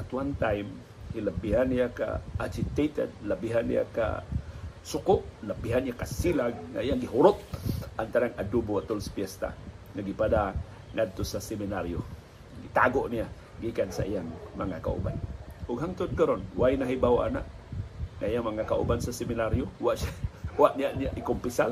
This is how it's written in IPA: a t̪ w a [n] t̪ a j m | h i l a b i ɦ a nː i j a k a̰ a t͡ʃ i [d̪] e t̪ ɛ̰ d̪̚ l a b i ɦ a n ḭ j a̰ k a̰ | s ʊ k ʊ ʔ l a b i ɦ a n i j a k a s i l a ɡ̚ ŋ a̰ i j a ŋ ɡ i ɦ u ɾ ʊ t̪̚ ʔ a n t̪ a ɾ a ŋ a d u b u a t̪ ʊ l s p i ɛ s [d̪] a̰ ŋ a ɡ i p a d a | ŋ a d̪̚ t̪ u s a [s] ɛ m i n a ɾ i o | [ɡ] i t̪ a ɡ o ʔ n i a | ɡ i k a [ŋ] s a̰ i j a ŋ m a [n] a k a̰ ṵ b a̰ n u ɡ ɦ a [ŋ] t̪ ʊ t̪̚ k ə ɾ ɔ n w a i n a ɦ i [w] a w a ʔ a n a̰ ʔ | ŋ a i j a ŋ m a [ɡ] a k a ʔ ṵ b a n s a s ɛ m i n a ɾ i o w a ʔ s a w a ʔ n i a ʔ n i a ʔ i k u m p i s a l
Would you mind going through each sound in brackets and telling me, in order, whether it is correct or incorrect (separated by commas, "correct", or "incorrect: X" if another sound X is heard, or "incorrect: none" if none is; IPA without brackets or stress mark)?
correct, incorrect: t̪, incorrect: t̪, correct, correct, incorrect: n, incorrect: ŋ, correct, incorrect: b, incorrect: ŋ